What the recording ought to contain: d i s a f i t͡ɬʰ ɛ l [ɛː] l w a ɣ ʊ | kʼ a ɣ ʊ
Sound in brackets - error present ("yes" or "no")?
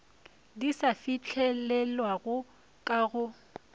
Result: yes